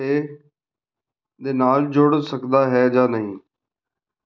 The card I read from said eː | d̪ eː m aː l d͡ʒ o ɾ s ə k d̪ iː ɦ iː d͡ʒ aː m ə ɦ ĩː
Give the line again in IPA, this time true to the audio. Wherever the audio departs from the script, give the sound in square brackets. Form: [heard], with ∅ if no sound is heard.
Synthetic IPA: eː | d̪ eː [n] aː l d͡ʒ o [ɽ] s ə k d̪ [aː] ɦ [ɛː] d͡ʒ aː [n] ə ɦ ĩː